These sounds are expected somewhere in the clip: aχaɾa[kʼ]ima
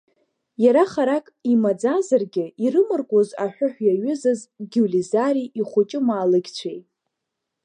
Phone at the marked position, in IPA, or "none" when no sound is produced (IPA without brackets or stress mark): kʼ